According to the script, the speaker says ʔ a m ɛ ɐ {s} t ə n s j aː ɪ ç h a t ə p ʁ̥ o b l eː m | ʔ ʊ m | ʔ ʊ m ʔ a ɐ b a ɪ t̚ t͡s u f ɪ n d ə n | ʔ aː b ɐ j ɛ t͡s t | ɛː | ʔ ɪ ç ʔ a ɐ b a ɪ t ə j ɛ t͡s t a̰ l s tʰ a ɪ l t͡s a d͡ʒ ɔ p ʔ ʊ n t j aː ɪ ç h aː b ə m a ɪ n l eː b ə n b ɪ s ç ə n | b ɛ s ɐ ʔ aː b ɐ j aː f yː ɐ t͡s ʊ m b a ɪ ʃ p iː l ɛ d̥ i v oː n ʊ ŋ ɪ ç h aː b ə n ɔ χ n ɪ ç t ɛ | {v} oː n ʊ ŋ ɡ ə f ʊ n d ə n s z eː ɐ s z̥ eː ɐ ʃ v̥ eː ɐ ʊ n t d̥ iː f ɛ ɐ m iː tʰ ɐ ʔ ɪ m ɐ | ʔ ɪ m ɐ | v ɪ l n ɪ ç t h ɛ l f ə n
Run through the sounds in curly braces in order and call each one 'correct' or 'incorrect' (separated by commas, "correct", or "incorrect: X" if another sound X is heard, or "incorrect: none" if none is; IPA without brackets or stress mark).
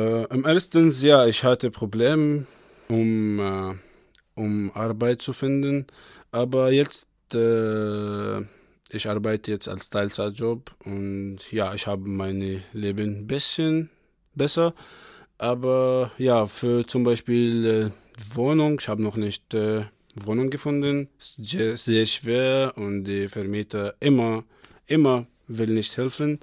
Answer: correct, correct